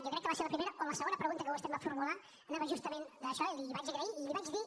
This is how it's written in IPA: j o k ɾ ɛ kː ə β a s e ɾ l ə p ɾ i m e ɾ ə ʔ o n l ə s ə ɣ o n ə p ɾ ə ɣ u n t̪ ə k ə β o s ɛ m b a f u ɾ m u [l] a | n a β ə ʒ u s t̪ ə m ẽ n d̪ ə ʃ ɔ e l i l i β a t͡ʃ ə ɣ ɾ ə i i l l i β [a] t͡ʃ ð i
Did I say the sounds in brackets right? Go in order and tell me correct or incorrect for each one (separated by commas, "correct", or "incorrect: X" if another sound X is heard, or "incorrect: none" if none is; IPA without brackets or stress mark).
correct, correct